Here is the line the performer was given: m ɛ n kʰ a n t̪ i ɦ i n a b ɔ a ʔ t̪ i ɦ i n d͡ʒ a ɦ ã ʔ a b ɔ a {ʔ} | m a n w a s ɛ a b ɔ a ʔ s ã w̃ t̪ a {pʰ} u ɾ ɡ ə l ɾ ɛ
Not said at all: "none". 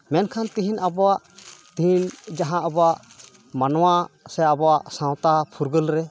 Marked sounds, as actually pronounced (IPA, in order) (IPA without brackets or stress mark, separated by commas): ʔ, pʰ